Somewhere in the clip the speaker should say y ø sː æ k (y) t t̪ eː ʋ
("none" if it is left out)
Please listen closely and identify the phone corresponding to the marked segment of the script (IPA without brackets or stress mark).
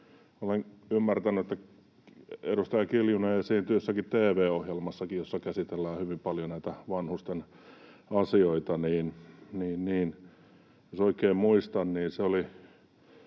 i